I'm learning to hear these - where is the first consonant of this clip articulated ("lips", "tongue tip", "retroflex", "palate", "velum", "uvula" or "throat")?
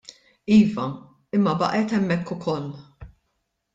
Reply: lips